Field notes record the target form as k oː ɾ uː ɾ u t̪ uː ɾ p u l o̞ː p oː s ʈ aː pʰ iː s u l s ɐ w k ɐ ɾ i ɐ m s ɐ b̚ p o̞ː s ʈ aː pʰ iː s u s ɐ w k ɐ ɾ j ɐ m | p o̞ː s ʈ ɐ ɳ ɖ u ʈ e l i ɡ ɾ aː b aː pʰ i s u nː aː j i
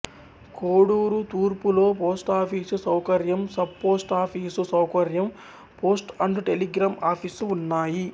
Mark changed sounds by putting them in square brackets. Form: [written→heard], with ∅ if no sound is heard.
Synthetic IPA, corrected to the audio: k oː [ɾ→ɽ] uː ɾ u t̪ uː ɾ p u l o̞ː p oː s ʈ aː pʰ iː s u [l→∅] s ɐ w k ɐ ɾ [i→j] ɐ m s ɐ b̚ p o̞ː s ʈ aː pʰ iː s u s ɐ w k ɐ ɾ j ɐ m | p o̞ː s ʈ ɐ ɳ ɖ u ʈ e l i ɡ ɾ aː [b→m] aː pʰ i s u nː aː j i